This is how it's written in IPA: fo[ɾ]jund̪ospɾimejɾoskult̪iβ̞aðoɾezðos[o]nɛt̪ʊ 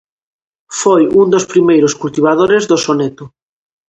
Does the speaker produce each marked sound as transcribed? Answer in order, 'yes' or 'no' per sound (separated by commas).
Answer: no, yes